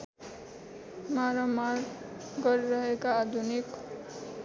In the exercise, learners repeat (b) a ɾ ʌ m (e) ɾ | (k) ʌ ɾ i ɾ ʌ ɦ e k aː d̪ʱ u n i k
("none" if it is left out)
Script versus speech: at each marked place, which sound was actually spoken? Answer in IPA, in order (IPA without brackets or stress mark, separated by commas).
m, a, ɡ